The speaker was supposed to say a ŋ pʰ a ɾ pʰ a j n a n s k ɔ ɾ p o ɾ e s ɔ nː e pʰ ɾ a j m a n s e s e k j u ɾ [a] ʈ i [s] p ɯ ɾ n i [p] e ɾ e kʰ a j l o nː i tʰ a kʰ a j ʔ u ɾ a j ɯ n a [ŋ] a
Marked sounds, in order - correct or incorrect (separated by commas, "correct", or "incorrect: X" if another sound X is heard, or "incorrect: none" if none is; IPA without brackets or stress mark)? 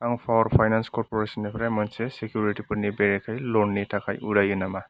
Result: incorrect: i, incorrect: none, incorrect: b, incorrect: m